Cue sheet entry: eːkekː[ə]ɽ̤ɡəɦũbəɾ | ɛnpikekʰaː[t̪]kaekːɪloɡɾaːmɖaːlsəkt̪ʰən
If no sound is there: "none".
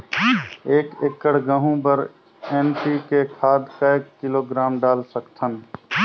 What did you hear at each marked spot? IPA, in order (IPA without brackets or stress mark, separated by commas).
ə, d̪